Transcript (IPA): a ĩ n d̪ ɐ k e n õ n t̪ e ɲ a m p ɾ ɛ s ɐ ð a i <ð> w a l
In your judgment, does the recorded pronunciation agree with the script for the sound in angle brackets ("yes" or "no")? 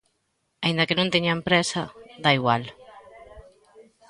no